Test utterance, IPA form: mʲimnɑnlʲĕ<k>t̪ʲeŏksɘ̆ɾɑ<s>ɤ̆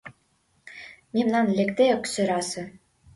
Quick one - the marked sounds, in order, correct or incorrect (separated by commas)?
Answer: correct, correct